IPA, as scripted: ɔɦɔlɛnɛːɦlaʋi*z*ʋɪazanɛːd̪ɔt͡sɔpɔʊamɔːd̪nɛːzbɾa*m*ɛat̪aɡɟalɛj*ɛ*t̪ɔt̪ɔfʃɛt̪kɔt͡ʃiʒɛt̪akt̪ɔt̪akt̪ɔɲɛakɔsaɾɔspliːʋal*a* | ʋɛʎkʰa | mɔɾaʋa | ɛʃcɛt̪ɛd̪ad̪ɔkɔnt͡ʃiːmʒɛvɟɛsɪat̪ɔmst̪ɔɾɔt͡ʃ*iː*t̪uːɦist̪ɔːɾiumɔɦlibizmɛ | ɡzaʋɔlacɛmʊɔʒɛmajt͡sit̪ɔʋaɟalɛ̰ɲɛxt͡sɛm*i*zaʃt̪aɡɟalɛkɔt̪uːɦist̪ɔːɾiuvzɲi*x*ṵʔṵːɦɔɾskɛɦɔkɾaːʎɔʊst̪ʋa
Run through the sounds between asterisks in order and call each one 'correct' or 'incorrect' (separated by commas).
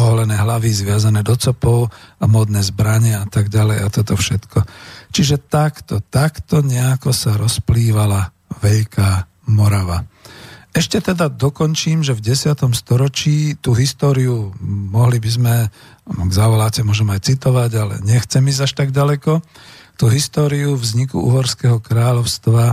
correct, incorrect, incorrect, correct, correct, correct, incorrect